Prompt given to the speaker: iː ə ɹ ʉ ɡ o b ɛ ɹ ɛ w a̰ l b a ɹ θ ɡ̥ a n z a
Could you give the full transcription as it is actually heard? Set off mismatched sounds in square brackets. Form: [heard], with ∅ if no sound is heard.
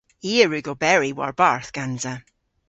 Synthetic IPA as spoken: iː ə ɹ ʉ ɡ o b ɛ ɹ [i] w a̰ [ɹ] b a ɹ θ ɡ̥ a n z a